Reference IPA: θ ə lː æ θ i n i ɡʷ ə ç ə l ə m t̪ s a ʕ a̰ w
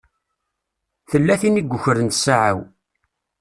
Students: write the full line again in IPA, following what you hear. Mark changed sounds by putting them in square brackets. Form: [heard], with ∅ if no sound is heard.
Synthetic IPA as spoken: θ ə lː æ θ i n i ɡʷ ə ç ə [ɾ] ə [n] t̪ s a ʕ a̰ w